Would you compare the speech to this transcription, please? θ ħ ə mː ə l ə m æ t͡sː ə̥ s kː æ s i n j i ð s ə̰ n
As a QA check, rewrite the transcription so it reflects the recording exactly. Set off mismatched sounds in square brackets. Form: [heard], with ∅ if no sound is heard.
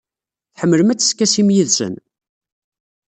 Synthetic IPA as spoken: θ ħ ə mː ə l ə m æ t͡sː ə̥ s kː æ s i [m] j i ð s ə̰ n